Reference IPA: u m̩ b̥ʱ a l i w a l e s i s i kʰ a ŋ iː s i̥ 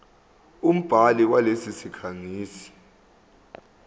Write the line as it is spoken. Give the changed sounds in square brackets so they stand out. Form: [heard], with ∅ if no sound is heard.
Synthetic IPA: u m̩ b̥ʱ a l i w a l e s i s i kʰ a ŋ iː s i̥